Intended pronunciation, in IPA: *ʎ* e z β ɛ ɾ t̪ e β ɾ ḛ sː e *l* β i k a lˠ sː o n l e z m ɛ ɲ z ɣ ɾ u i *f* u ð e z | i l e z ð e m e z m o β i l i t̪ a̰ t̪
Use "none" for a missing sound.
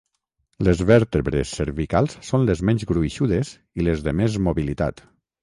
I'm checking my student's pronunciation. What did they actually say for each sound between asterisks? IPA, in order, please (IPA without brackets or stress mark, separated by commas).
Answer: l, ɾ, ʃ